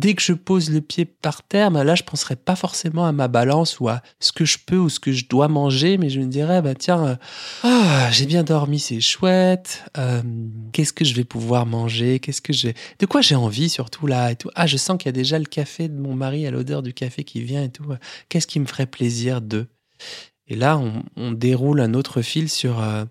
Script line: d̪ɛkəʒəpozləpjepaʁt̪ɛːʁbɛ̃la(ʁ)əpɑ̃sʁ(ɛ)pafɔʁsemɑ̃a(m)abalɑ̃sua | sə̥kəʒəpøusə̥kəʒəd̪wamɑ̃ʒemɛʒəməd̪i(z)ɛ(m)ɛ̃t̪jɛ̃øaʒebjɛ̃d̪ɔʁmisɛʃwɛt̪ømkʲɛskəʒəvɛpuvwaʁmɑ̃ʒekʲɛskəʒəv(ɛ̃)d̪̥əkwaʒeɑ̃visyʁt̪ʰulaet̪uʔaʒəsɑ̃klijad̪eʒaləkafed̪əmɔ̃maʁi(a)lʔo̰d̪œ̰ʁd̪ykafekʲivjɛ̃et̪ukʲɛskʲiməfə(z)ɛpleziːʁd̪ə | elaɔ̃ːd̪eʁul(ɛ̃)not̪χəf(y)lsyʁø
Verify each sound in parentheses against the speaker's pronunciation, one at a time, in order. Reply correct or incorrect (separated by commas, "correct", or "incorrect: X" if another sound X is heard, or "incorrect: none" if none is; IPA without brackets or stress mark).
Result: incorrect: ʒ, correct, correct, incorrect: ʁ, incorrect: b, incorrect: ɛ, correct, incorrect: ʁ, correct, incorrect: i